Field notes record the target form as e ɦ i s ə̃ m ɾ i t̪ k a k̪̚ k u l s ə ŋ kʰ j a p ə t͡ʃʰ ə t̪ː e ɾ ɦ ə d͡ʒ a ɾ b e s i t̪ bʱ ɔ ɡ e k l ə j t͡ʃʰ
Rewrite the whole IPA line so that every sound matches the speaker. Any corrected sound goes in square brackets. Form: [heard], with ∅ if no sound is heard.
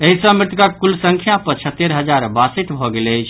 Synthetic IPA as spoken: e ɦ i s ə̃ m ɾ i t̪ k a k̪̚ k u l s ə ŋ kʰ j a p ə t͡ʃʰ ə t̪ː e ɾ ɦ ə d͡ʒ a ɾ b [a] s i t̪ bʱ ɔ ɡ e [∅] l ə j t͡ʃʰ